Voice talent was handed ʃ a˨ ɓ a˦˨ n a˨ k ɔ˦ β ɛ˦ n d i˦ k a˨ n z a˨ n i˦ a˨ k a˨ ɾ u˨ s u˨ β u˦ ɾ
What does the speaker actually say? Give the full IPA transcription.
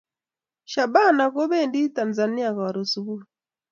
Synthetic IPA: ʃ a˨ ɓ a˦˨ n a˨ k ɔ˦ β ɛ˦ n d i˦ t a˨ n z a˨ n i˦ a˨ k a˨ ɾ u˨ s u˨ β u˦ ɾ